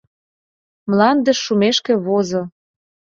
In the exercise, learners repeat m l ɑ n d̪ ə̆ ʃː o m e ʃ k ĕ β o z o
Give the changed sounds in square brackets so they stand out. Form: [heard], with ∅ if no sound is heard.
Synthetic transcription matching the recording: m l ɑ n d̪ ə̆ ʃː [u] m e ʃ k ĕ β o z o